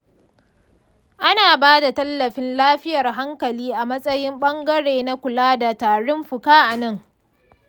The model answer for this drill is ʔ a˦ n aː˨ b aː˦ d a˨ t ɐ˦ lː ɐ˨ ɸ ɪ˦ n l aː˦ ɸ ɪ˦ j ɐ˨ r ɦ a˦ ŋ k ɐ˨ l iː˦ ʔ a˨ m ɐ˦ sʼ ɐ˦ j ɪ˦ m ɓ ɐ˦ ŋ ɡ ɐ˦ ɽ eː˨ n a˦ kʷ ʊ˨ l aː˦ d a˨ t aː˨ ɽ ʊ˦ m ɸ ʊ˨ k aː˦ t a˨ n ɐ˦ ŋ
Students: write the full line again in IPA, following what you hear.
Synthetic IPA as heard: ʔ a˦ n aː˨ b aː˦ d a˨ t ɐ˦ lː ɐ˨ ɸ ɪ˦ n l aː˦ ɸ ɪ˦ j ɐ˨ r ɦ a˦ ŋ k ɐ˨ l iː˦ ʔ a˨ m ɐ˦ sʼ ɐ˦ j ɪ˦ m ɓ ɐ˦ ŋ ɡ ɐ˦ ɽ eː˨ n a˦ kʷ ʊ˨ l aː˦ d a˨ t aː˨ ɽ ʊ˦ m ɸ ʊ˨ k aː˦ ʔ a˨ n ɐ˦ ŋ